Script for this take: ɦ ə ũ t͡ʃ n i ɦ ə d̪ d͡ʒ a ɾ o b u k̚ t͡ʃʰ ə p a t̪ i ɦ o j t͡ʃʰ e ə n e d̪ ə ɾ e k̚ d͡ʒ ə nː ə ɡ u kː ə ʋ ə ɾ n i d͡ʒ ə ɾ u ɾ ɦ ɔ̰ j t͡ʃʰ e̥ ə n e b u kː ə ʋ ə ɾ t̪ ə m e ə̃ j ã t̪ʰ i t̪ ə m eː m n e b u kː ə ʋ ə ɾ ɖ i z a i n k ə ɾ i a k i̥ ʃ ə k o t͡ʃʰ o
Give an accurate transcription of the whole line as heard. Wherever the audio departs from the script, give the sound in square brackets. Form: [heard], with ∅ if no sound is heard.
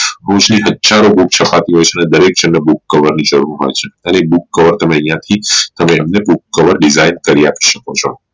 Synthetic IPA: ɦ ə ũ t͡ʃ n i ɦ ə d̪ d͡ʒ a ɾ o b u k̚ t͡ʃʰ ə p a t̪ i ɦ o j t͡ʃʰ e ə n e d̪ ə ɾ e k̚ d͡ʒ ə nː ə [b] u kː ə ʋ ə ɾ n i d͡ʒ ə ɾ u ɾ ɦ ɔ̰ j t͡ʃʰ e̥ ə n e b u kː ə ʋ ə ɾ t̪ ə m e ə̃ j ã t̪ʰ i t̪ ə m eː m n e b u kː ə ʋ ə ɾ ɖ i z a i n k ə ɾ i a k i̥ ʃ ə k o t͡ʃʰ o